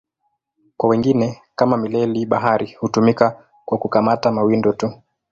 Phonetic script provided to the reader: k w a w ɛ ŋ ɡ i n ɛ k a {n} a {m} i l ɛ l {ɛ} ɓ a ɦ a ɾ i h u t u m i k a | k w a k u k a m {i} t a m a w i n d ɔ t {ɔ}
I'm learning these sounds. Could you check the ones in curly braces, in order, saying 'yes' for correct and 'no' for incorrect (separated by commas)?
no, yes, no, no, no